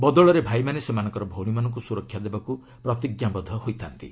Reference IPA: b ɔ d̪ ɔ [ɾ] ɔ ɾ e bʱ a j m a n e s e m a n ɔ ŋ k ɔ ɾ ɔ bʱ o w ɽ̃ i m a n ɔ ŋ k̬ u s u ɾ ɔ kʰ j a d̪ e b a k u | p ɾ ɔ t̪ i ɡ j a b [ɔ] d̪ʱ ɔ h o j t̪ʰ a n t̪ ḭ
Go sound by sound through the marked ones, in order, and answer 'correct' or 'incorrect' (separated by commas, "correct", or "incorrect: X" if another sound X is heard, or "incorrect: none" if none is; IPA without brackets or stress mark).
incorrect: ɭ, correct